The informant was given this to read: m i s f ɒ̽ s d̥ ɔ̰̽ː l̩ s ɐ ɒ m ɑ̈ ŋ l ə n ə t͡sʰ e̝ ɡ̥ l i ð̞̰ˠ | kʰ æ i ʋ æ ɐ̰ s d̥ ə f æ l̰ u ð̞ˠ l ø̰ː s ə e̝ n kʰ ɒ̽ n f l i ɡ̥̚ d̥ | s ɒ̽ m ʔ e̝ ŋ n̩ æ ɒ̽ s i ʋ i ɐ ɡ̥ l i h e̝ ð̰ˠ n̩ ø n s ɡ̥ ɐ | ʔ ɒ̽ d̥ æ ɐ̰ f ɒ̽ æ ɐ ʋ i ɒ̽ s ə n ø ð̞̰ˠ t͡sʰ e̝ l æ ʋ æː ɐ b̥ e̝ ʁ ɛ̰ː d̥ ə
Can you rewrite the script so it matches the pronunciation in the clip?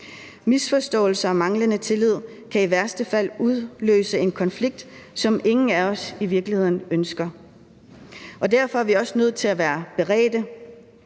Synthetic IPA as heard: m i s f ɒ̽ s d̥ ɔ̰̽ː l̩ s ɐ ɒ m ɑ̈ ŋ l ə n ə t͡sʰ e̝ l i ð̞̰ˠ | kʰ æ i ʋ æ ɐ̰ s d̥ ə f æ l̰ u ð̞ˠ l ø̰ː s ə e̝ n kʰ ɒ̽ n f l i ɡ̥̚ d̥ | s ɒ̽ m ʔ e̝ ŋ n̩ æ ɒ̽ s i ʋ i ɐ ɡ̥ l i h e̝ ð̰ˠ n̩ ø n s ɡ̥ ɐ | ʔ ɒ̽ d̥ æ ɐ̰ f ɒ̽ æ ɐ ʋ i ɒ̽ s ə n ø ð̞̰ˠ t͡sʰ e̝ l æ ʋ æː ɐ b̥ e̝ ʁ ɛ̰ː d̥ ə